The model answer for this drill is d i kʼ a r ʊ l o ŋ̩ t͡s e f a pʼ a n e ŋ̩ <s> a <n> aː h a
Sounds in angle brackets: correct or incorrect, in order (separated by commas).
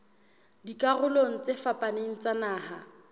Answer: incorrect, correct